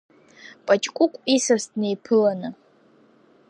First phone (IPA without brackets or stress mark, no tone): pʼ